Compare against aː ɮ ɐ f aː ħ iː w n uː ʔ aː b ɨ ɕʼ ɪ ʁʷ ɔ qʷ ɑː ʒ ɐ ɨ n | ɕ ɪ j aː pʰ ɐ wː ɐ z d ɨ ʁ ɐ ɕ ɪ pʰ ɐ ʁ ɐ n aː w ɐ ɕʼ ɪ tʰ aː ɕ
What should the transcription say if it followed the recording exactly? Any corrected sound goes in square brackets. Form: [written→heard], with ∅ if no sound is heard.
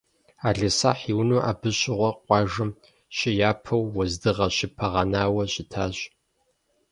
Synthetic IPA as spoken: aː ɮ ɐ [f→s] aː ħ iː w n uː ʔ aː b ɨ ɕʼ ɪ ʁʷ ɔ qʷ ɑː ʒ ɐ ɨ [n→m] | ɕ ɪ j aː pʰ ɐ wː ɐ z d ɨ ʁ ɐ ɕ ɪ pʰ ɐ ʁ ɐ n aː w ɐ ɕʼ ɪ tʰ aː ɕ